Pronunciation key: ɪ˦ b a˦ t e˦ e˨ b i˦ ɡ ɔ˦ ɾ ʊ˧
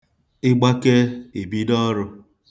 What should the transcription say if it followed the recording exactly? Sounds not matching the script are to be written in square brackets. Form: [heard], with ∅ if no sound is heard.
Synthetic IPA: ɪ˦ [ɡ͡b] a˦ [k] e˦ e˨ b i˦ [d] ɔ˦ ɾ ʊ˧